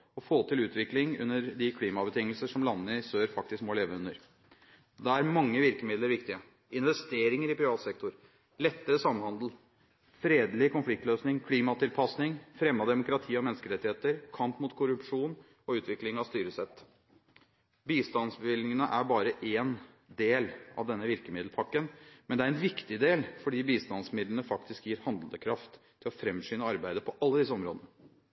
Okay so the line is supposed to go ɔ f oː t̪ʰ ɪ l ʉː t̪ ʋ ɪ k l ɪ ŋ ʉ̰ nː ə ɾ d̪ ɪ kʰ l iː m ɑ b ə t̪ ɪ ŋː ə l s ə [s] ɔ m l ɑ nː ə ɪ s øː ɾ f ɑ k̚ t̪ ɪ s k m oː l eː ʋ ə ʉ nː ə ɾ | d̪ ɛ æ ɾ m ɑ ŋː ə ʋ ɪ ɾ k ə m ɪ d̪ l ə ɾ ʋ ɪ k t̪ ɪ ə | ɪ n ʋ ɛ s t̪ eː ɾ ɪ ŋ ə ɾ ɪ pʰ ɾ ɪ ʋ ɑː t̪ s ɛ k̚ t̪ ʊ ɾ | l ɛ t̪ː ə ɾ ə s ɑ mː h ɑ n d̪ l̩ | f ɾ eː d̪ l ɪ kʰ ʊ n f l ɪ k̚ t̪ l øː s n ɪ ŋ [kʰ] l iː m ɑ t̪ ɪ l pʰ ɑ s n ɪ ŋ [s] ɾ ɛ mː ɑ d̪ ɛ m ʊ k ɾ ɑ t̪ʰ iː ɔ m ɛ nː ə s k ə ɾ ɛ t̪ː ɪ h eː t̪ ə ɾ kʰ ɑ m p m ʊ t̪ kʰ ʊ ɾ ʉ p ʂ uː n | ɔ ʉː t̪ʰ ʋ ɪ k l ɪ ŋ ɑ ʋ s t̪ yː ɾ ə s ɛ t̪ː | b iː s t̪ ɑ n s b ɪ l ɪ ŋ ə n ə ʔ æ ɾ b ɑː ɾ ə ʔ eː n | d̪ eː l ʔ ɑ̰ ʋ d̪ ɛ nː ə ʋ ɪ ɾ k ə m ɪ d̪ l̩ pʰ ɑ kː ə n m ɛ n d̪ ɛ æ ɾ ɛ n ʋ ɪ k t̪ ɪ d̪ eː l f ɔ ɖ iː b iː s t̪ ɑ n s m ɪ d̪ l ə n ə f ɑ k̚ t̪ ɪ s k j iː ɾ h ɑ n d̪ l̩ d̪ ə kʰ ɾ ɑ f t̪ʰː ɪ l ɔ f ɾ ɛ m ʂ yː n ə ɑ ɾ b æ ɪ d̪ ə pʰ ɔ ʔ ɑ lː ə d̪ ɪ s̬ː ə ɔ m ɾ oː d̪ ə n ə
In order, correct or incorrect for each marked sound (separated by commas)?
incorrect, correct, incorrect